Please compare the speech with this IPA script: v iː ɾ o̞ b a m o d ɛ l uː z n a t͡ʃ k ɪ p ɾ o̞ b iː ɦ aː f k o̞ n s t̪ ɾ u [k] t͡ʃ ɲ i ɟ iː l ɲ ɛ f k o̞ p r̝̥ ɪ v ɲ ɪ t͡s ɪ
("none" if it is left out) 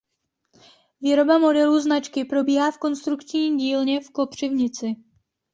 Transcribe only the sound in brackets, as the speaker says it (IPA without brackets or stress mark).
k